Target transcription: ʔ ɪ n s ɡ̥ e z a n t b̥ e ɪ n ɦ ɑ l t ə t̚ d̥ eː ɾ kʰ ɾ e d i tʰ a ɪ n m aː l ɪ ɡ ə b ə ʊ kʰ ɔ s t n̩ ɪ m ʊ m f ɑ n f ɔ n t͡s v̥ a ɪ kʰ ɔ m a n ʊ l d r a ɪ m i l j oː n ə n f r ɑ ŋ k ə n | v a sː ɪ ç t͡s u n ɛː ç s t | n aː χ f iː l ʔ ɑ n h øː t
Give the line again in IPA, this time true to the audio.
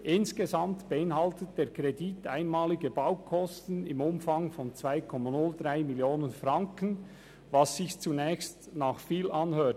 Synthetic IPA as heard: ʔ ɪ n s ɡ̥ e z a m t b̥ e ɪ n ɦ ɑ l t ə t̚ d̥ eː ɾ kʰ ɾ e d i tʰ a ɪ n m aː l ɪ ɡ ə b a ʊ kʰ ɔ s t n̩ ɪ m ʊ m f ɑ ŋ f ɔ n t͡s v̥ a ɪ kʰ ɔ m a n ʊ l d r a ɪ m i l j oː n ə n f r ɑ ŋ k ə n | v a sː ɪ ç t͡s u n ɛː ç s t | n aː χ f iː l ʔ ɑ n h øː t